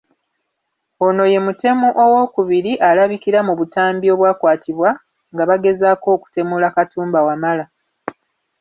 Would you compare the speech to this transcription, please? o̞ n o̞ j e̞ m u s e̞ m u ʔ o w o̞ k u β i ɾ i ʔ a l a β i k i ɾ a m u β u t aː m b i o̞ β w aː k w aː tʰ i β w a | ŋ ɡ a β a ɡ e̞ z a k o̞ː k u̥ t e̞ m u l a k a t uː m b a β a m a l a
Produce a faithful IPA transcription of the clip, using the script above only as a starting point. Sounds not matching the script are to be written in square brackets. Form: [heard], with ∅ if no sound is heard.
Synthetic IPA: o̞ n o̞ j e̞ m u [t] e̞ m u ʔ o w o̞ k u β i ɾ i ʔ a l a β i k i ɾ a m u β u t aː m b i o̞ β w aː k w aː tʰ i β w a | ŋ ɡ a β a ɡ e̞ z a k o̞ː k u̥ t e̞ m u l a k a t uː m b a [w] a m a l a